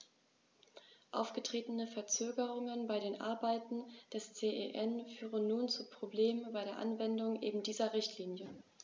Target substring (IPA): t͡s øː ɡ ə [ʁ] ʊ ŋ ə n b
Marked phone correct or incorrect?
correct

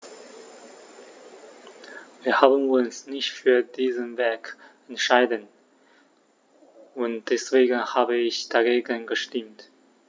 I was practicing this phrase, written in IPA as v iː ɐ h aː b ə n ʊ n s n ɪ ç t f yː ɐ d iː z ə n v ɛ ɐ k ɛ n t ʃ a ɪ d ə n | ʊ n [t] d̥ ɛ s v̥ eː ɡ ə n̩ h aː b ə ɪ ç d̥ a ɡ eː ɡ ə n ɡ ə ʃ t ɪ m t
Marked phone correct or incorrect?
correct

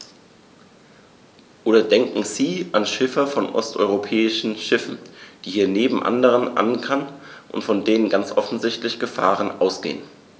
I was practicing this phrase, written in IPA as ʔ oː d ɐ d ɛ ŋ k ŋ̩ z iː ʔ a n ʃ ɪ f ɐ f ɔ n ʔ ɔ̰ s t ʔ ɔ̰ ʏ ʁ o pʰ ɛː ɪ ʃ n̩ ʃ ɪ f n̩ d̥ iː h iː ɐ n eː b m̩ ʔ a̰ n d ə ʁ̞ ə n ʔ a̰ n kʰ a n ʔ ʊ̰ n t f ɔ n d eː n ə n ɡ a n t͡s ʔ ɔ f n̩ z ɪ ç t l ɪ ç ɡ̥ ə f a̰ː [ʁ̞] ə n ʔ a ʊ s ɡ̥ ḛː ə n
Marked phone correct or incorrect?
correct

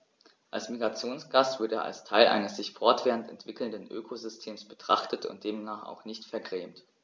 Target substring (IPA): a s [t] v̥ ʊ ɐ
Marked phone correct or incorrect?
correct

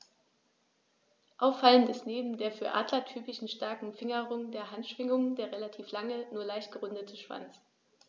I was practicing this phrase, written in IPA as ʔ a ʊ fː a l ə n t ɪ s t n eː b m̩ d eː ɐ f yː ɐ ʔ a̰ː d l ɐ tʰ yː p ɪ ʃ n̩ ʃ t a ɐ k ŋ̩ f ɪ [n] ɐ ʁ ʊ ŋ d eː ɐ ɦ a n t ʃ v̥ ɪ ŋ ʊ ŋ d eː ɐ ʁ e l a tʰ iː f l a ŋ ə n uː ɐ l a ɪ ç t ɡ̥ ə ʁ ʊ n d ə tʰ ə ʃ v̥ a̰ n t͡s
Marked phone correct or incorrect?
incorrect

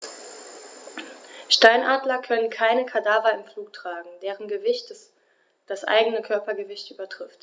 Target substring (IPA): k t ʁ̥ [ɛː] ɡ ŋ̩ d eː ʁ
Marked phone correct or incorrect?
incorrect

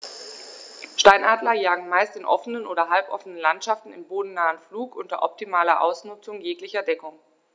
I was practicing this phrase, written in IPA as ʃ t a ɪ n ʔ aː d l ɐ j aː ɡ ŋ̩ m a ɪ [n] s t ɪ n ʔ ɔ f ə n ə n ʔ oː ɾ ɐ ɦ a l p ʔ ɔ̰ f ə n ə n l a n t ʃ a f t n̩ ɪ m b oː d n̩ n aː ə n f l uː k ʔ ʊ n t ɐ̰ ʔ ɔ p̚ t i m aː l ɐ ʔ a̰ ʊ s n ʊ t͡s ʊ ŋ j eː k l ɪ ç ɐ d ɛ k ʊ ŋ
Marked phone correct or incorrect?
incorrect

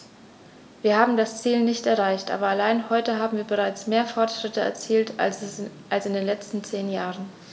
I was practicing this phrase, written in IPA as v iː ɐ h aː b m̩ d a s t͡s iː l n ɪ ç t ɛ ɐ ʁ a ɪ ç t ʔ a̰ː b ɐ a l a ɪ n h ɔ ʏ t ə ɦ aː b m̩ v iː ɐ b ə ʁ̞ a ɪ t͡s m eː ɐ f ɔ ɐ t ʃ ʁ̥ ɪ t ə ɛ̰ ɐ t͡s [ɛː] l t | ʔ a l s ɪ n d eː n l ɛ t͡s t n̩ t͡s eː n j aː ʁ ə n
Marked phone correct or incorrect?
incorrect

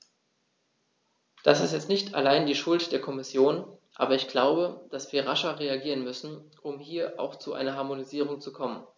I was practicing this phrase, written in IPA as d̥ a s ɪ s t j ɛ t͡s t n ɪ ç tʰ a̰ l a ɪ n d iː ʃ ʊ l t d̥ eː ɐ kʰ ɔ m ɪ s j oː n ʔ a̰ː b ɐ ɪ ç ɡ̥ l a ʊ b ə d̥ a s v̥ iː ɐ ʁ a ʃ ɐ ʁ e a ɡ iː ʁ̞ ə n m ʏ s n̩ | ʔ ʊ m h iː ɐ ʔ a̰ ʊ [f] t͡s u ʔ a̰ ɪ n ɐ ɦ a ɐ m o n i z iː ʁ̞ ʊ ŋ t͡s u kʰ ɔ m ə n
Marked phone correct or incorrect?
incorrect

